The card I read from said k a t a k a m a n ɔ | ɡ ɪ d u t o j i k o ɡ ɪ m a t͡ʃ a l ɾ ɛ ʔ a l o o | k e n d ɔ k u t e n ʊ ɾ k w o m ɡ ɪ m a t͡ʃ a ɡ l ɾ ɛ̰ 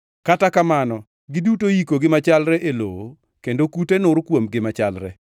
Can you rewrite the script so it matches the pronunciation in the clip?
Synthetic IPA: k a t a k a m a n ɔ | ɡ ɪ d u t o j i k o ɡ ɪ m a t͡ʃ a l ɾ ɛ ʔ e l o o | k e n d o k u t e n ʊ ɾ k w o m ɡ ɪ m a t͡ʃ a l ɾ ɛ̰

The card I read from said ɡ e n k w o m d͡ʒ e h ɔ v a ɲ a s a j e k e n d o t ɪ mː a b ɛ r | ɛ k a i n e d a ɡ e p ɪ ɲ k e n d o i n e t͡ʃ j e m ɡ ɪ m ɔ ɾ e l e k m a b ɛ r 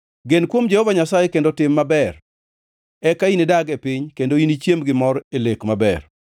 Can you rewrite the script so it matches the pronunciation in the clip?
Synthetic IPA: ɡ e n k w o m d͡ʒ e h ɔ v a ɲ a s a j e k e n d o t ɪ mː a b ɛ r | ɛ k a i n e d a ɡ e p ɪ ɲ k e n d o i n i t͡ʃ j e m ɡ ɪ m ɔ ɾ e l e k m a b ɛ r

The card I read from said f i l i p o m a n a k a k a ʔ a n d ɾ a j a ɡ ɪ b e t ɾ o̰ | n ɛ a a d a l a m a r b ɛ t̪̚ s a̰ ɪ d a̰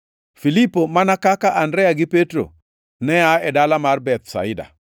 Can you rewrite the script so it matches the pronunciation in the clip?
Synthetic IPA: f i l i p o m a n a k a k a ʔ a n d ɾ ɛ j a ɡ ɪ p e t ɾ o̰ | n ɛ a ɛ d a l a m a r b ɛ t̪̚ s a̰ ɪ d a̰

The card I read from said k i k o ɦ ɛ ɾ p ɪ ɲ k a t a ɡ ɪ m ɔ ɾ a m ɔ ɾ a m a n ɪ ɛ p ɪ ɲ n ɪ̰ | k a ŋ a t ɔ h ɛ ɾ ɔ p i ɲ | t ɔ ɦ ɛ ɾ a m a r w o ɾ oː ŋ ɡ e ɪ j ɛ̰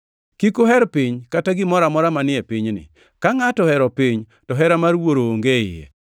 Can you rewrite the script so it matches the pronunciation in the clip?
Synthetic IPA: k i k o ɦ ɛ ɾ p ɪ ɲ k a t a ɡ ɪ m ɔ ɾ a m ɔ ɾ a m a n ɪ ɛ p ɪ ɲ n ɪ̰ | k a ŋ a t ɔ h ɛ ɾ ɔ p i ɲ | t ɔ ɦ ɛ ɾ a m a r w o ɾ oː ŋ ɡ e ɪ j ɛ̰

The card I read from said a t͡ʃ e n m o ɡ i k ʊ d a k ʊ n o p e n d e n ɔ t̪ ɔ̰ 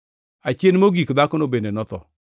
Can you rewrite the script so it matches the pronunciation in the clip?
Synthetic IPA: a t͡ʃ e n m o ɡ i k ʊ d a k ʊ n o b e n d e n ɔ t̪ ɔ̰

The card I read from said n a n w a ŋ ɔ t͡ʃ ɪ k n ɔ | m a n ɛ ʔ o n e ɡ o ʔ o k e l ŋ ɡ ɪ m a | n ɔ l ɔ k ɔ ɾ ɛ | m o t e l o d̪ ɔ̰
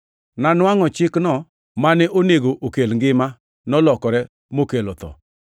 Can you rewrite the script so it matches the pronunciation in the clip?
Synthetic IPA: n a n w a ŋ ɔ t͡ʃ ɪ k n ɔ | m a n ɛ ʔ o n e ɡ o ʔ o k e l ŋ ɡ ɪ m a | n ɔ l ɔ k ɔ ɾ ɛ | m o k e l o t̪ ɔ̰

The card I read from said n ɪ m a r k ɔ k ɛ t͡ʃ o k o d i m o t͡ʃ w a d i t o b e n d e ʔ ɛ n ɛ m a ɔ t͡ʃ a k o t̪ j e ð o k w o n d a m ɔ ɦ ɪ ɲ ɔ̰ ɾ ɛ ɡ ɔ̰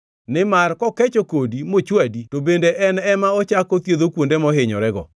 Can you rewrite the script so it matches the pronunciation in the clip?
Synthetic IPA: n ɪ m a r k ɔ k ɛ t͡ʃ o k o d i m o t͡ʃ w a d i t o b e n d e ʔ ɛ n ɛ m a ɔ t͡ʃ a k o t̪ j e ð o k w o n d e m ɔ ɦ ɪ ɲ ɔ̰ ɾ ɛ ɡ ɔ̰

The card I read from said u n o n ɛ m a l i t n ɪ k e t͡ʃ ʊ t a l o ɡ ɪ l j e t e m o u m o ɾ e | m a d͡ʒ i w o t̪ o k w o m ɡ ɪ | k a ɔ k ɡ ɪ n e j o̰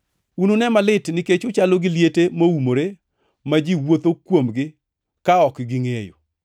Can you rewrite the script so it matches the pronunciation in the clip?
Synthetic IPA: u n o n ɛ m a l ɪ t n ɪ k e t͡ʃ ʊ t͡ʃ a l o ɡ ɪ l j e t e m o u m o ɾ e | m a d͡ʒ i w o t̪ o k w o m ɡ ɪ | k a ɔ k ɡ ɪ ŋ e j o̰

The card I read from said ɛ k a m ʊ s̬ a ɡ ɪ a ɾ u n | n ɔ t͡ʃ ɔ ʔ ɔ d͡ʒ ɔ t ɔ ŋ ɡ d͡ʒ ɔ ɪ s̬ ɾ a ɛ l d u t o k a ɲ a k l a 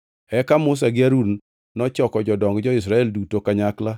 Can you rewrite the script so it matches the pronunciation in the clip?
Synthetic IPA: ɛ k a m ʊ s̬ a ɡ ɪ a ɾ u n | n ɔ t͡ʃ ɔ k ɔ d͡ʒ ɔ d ɔ ŋ ɡ d͡ʒ ɔ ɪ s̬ ɾ a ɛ l d u t o k a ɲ a k l a

